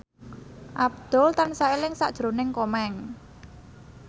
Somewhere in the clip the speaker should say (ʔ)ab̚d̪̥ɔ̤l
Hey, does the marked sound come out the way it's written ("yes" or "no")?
yes